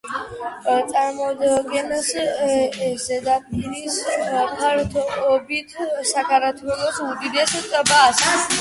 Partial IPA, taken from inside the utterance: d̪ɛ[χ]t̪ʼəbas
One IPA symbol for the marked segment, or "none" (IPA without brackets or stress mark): s